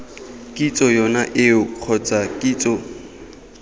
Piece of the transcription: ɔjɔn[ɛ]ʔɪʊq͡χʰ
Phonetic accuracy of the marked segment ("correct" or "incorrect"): incorrect